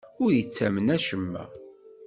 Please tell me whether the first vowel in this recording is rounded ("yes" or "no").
yes